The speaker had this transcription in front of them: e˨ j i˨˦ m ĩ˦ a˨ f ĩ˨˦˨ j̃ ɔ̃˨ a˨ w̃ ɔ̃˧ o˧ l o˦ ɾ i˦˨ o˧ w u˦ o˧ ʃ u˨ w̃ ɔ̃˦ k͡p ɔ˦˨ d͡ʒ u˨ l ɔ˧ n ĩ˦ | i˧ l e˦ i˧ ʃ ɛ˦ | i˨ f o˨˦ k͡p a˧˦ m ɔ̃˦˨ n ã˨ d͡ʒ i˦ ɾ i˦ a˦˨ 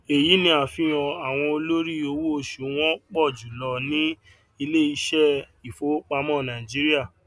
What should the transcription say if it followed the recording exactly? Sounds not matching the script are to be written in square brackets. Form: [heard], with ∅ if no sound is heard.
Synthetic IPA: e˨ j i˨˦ [n] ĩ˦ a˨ f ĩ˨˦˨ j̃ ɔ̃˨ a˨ w̃ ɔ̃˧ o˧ l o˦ ɾ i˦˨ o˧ w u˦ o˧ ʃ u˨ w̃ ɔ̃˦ k͡p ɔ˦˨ d͡ʒ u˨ l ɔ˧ n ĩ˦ | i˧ l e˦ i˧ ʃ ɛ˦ | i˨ f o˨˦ k͡p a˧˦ m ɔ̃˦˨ n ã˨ d͡ʒ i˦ ɾ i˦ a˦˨

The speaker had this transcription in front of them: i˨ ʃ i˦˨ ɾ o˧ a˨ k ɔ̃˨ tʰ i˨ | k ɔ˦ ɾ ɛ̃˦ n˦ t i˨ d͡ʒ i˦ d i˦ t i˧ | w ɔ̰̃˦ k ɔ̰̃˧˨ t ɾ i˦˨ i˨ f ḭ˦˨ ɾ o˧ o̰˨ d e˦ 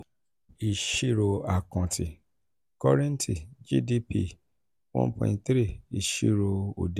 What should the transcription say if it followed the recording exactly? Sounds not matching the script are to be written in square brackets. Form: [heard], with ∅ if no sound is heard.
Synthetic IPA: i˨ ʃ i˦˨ ɾ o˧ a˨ k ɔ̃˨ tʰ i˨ | k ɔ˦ ɾ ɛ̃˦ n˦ t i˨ d͡ʒ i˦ d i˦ [p] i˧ | w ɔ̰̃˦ [p] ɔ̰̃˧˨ t ɾ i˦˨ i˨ [ʃ] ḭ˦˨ ɾ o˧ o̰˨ d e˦

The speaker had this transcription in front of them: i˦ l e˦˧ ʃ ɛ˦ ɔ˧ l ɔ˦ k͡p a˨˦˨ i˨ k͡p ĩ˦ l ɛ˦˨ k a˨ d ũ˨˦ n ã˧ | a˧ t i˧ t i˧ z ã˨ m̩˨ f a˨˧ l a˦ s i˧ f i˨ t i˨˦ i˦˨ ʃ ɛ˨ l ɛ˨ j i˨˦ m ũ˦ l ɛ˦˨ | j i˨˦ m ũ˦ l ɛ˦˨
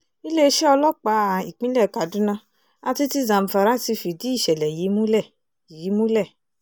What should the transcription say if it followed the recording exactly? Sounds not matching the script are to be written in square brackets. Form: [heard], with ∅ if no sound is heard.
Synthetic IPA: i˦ l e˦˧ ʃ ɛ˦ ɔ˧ l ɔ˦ k͡p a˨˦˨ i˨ k͡p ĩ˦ l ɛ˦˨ k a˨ d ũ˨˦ n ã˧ | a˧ t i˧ t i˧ z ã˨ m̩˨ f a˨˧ [ɾ] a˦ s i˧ f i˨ [d] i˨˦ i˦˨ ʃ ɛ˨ l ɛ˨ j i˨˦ m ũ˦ l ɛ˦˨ | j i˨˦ m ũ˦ l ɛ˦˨

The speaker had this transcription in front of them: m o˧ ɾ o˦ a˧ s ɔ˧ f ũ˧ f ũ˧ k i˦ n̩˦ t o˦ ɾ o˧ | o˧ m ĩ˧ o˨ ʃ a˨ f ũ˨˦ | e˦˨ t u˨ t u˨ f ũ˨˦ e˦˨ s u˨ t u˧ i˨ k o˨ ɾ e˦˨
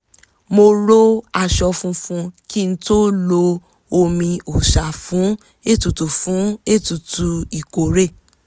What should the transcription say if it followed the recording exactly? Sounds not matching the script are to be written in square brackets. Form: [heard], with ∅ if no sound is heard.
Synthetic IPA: m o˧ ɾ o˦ a˧ [ʃ] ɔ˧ f ũ˧ f ũ˧ k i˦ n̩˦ t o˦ [l] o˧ | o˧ m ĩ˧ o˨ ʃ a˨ f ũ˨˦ | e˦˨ t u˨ t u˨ f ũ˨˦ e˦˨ [t] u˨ t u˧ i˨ k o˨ ɾ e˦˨

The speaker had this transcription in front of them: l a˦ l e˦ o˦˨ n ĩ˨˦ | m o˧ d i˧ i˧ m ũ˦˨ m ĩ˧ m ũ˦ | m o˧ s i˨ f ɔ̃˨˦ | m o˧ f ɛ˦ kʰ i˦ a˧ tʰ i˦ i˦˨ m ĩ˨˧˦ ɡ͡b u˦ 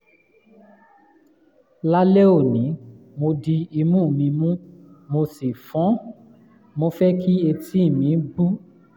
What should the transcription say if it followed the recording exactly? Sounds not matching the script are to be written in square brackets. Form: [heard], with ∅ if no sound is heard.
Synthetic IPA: l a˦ l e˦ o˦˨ n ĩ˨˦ | m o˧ d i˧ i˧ m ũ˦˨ m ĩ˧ m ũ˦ | m o˧ s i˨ f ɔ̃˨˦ | m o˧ f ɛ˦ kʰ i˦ [e˧] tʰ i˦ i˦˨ m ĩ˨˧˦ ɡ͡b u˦

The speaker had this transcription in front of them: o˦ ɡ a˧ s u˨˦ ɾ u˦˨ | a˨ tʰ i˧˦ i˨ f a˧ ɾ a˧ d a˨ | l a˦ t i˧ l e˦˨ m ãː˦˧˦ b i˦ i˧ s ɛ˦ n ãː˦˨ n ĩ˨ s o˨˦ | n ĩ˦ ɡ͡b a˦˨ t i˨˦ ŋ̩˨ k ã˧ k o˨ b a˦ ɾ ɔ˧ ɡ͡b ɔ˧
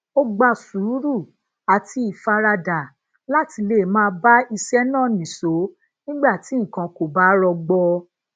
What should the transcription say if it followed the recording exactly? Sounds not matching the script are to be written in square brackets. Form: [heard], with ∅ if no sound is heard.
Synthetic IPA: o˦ [ɡ͡b] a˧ s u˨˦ ɾ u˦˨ | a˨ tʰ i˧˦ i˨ f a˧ ɾ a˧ d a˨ | l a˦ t i˧ l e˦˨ m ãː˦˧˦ b [a˦] i˧ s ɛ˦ n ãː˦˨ n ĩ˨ s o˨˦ | n ĩ˦ ɡ͡b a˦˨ t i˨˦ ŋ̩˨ k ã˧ k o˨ b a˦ ɾ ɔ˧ ɡ͡b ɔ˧

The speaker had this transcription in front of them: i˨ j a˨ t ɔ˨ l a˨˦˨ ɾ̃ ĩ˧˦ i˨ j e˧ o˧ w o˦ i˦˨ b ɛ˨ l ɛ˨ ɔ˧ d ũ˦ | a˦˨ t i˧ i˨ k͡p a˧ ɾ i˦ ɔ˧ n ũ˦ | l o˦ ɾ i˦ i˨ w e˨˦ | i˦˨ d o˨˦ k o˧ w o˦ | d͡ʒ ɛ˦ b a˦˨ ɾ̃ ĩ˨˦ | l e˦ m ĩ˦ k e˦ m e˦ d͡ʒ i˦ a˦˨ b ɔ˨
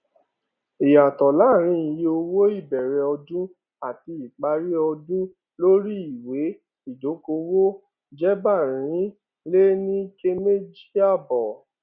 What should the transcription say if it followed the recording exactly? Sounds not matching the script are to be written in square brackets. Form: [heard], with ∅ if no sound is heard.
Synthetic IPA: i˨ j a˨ t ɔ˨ l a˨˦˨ ɾ̃ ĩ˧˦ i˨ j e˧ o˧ w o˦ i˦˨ b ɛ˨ [ɾ] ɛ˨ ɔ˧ d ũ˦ | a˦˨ t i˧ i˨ k͡p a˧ ɾ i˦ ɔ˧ [d] ũ˦ | l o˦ ɾ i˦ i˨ w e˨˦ | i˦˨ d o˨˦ k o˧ w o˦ | d͡ʒ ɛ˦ b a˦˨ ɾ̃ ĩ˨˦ | l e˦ [n] ĩ˦ k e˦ m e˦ d͡ʒ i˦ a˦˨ b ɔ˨

